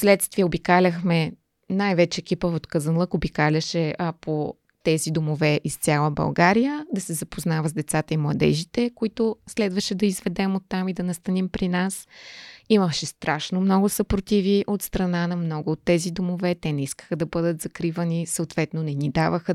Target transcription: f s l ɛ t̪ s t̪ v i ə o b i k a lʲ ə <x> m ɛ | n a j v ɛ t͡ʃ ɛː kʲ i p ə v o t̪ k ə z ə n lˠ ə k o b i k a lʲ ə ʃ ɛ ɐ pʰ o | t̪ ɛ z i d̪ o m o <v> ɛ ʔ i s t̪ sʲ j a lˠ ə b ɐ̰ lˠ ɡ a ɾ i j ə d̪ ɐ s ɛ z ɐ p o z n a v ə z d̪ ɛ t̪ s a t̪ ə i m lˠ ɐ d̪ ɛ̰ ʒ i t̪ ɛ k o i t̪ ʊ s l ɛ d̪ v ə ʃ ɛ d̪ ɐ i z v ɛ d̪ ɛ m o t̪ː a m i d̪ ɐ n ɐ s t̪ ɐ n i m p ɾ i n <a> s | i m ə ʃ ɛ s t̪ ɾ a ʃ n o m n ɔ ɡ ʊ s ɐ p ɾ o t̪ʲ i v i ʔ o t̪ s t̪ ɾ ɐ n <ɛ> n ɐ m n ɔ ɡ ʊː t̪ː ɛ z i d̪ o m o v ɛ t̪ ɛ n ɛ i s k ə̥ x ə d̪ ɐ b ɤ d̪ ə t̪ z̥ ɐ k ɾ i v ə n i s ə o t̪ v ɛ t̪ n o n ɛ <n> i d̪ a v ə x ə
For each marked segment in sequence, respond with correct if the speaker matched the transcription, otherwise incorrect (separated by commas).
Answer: correct, correct, correct, incorrect, correct